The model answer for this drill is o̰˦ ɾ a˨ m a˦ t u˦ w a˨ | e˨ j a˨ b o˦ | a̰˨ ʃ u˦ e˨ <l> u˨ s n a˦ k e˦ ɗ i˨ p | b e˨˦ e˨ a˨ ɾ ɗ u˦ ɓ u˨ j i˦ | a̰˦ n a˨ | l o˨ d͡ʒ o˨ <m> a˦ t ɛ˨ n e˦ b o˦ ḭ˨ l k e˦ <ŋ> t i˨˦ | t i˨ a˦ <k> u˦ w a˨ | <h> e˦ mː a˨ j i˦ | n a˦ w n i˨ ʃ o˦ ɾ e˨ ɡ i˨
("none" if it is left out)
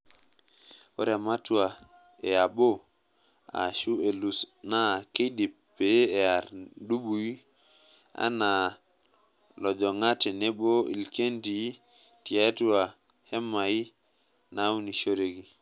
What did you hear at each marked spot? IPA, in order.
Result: l, ŋ, n, t, h

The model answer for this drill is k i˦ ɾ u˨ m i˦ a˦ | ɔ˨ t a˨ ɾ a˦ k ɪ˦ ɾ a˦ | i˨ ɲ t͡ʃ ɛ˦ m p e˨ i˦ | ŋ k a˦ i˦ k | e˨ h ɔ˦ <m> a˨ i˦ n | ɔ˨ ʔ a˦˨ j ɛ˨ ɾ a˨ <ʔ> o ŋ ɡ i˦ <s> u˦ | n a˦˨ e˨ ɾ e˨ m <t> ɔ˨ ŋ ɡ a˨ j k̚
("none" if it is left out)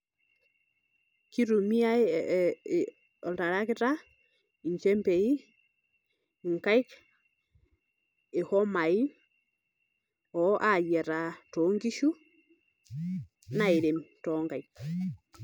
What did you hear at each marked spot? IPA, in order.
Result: m, t, ʃ, t

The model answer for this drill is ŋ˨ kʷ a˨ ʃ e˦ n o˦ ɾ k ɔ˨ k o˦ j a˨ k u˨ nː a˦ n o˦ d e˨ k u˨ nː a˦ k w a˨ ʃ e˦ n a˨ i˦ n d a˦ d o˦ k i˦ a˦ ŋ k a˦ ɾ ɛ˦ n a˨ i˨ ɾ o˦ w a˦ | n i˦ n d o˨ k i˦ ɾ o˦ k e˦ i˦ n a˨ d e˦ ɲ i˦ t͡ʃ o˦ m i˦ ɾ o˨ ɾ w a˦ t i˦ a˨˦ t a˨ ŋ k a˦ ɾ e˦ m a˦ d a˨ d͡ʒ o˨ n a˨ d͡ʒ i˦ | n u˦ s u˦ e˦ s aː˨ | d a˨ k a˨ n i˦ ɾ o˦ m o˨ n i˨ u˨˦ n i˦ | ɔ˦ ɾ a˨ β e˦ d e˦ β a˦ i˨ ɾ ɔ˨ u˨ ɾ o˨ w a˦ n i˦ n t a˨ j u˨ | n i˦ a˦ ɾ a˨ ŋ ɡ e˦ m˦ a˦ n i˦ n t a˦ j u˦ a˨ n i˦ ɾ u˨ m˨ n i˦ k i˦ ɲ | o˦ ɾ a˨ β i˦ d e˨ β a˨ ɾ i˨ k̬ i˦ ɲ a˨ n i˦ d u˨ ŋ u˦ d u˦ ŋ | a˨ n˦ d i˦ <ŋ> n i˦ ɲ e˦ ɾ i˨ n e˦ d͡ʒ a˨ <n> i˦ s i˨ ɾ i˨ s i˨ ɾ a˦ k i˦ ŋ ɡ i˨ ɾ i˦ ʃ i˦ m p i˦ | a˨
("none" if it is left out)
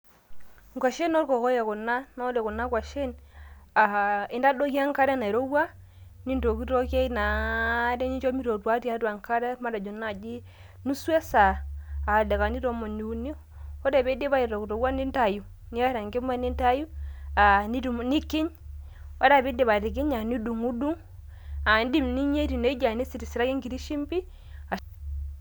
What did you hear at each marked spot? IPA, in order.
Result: m, n

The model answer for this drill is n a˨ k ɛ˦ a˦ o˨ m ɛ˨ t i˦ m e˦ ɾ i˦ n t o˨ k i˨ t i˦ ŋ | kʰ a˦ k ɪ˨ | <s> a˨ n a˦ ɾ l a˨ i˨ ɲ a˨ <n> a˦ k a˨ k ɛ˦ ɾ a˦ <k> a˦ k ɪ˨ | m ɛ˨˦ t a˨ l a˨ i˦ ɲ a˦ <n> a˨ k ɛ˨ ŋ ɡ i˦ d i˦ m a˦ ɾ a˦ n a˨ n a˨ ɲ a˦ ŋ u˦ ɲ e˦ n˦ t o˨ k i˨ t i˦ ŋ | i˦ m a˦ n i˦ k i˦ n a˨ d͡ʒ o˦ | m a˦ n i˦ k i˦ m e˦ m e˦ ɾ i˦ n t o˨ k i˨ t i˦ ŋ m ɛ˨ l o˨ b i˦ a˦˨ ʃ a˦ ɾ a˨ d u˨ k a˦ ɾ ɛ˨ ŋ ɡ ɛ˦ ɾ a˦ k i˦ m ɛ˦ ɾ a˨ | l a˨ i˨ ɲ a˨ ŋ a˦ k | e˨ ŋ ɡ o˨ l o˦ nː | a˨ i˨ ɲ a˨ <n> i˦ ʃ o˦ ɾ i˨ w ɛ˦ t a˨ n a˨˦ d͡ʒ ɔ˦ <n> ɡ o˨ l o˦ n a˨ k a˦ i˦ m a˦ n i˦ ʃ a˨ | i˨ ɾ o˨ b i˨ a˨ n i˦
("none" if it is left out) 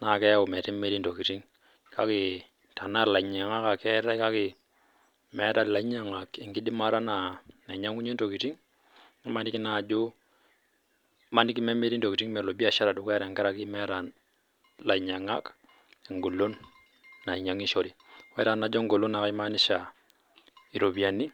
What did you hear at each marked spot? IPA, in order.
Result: t, ŋ, k, ŋ, ŋ, ŋ

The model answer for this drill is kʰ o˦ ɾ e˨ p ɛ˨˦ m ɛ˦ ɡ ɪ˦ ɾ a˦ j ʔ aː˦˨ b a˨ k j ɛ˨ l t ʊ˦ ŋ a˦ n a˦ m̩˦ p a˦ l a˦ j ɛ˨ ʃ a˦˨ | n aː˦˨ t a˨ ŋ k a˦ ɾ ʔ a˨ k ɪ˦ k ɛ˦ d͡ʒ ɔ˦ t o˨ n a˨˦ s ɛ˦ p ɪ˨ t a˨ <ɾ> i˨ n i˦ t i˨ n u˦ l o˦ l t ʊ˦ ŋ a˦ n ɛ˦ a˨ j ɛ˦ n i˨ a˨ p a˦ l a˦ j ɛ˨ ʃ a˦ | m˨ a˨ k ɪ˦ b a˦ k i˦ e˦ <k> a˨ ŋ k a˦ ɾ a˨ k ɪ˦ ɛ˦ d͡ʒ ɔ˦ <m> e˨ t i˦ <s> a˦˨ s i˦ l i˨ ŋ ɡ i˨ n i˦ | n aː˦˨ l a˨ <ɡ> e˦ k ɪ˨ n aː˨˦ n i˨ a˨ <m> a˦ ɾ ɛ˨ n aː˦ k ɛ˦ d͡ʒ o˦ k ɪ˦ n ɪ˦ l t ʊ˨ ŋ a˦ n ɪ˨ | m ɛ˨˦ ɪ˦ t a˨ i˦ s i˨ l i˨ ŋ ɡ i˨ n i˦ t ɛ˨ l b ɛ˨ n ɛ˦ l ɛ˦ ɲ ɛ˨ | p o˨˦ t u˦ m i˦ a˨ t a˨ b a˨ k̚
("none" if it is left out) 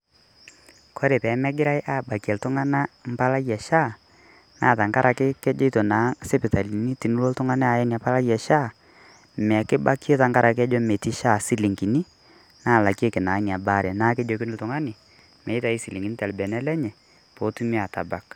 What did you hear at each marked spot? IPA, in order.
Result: l, t, m, ʃ, k, b

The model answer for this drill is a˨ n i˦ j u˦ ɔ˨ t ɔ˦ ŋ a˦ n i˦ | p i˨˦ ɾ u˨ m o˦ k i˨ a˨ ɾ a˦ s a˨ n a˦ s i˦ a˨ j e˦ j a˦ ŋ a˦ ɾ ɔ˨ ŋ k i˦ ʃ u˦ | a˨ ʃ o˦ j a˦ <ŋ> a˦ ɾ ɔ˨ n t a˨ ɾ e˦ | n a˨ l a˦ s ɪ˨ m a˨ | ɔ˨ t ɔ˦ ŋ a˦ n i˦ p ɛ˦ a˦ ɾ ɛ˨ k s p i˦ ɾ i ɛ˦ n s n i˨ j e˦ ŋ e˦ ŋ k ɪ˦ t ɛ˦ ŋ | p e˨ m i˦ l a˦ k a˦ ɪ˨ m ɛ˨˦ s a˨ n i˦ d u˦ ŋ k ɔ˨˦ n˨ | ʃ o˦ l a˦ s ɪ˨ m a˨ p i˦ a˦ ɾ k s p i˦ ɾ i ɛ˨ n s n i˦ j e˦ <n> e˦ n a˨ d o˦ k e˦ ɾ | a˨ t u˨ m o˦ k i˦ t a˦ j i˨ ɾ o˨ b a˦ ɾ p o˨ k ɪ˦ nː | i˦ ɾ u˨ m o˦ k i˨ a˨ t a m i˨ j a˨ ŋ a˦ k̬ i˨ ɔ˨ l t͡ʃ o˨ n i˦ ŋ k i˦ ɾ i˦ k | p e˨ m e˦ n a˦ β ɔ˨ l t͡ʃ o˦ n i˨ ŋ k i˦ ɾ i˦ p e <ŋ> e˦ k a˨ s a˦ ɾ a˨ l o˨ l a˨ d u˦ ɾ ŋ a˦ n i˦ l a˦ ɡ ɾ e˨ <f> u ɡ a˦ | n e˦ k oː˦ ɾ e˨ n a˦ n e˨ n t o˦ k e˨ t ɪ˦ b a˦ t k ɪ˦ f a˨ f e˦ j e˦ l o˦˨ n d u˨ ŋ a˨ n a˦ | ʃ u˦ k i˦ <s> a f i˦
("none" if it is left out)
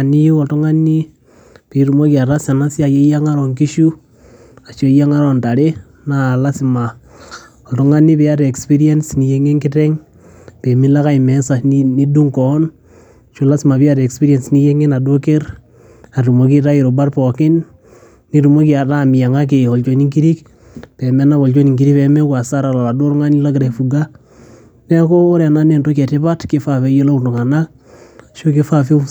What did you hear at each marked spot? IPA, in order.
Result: ŋ, ŋ, m, f, f

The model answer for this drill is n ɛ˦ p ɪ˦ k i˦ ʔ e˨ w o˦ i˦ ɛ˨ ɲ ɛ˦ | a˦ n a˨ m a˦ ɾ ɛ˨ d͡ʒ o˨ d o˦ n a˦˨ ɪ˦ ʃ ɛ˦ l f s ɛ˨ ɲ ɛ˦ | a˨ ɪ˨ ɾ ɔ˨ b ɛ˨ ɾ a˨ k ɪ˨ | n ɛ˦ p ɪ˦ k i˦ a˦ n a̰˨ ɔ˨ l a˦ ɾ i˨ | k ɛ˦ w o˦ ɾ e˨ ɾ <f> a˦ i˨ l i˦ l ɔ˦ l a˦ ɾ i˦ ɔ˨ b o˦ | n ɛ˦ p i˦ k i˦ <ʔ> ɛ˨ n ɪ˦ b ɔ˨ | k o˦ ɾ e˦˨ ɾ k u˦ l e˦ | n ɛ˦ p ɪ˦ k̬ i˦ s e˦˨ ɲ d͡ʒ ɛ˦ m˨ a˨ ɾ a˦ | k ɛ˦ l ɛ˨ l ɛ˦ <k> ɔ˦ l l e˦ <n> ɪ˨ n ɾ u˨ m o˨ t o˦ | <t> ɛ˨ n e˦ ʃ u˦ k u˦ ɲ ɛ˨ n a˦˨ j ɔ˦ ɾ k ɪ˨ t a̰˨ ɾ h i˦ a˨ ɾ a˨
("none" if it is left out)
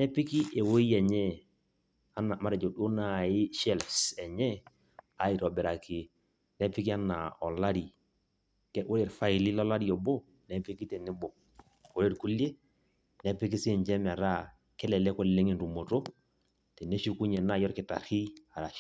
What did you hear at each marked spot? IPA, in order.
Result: f, t, k, ŋ, t

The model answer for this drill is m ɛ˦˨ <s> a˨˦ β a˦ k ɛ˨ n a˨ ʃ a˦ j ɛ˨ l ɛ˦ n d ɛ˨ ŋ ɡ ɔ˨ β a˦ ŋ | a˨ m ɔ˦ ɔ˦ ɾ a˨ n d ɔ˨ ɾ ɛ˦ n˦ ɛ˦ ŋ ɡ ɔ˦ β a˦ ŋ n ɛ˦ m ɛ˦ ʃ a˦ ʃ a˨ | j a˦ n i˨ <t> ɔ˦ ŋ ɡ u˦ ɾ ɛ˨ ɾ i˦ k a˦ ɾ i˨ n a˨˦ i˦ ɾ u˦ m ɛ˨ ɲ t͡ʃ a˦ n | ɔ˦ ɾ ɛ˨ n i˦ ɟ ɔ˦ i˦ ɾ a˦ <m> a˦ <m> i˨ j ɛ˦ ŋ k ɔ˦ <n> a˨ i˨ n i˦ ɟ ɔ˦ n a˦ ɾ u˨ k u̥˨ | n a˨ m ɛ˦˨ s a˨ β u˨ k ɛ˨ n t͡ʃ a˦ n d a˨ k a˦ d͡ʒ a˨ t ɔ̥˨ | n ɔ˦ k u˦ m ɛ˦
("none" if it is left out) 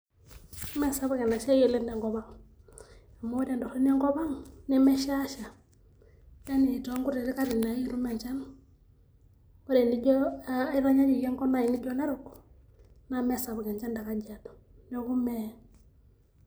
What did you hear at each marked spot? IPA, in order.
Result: s, t, ɲ, ɲ, n

